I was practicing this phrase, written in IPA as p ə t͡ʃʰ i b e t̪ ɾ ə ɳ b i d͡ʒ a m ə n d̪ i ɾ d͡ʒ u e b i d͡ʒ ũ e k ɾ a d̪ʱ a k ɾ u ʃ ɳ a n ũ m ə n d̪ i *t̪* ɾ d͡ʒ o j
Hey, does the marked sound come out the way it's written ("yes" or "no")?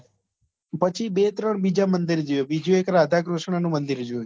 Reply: no